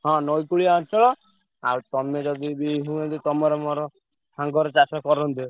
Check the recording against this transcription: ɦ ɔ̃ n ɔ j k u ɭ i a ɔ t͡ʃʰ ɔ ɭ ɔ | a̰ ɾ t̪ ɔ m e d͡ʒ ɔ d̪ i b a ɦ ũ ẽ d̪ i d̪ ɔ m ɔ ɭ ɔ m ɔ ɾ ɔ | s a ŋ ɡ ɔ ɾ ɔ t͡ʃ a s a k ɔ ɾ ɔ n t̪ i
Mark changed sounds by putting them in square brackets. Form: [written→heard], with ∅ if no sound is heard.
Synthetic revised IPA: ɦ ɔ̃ n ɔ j k u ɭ i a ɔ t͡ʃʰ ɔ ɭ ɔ | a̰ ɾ t̪ ɔ m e d͡ʒ ɔ d̪ i b [a→i] ɦ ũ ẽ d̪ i [d̪→t̪] ɔ m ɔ [ɭ→ɾ] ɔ m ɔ ɾ ɔ | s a ŋ ɡ ɔ ɾ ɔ t͡ʃ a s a k ɔ ɾ ɔ n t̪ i

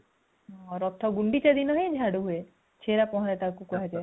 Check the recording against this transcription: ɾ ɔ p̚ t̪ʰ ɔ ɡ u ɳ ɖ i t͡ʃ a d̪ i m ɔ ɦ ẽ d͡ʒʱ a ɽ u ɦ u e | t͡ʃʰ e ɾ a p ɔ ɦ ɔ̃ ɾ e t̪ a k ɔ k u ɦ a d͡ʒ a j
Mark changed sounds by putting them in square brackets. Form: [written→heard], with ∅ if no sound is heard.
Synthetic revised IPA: ɾ ɔ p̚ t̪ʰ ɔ ɡ u ɳ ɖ i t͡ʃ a d̪ i [m→n] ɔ ɦ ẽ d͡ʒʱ a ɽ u ɦ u e | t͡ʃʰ e ɾ a p ɔ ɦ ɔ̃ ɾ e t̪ a k [ɔ→u] k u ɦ a d͡ʒ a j

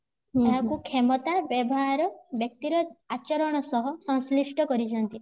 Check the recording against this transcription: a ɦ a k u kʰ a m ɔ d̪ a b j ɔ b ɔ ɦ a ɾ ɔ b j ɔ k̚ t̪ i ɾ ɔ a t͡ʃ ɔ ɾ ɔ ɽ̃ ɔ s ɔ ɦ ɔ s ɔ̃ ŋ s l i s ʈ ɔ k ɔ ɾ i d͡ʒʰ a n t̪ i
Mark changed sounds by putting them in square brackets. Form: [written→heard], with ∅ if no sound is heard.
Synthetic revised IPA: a ɦ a k u kʰ [a→e] m ɔ [d̪→t̪] a b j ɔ b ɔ ɦ a ɾ ɔ b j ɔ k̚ t̪ i ɾ ɔ a t͡ʃ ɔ ɾ ɔ ɽ̃ ɔ s ɔ ɦ ɔ s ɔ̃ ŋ s l i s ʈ ɔ k ɔ ɾ i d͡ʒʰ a n t̪ i

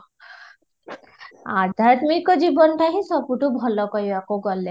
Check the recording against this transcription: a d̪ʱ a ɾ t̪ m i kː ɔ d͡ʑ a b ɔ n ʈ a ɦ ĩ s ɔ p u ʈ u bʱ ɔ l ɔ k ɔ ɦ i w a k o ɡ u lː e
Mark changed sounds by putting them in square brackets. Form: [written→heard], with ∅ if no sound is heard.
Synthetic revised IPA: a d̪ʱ a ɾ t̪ m i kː ɔ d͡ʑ [a→i] b ɔ n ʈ a ɦ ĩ s ɔ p u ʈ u bʱ ɔ l ɔ k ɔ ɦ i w a k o ɡ [u→ɔ] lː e

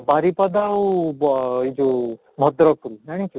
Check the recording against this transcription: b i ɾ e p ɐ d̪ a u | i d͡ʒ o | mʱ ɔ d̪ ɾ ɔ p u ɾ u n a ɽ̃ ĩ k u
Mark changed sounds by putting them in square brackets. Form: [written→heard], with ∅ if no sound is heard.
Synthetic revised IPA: b [i→a] ɾ [e→i] p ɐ d̪ a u | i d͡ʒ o | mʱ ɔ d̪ ɾ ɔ [p→k] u ɾ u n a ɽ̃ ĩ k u

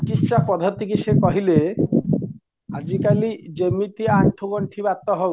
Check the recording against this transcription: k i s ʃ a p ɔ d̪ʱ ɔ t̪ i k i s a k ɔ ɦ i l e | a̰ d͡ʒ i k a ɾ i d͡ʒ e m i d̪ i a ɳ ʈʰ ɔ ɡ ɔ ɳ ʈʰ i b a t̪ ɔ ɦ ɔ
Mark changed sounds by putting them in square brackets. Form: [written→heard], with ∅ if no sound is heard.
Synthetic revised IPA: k i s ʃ a p ɔ d̪ʱ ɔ t̪ i k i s [a→e] k ɔ ɦ i l e | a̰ d͡ʒ i k a [ɾ→l] i d͡ʒ e m i [d̪→t̪] i a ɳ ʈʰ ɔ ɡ ɔ ɳ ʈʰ i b a t̪ ɔ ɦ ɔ

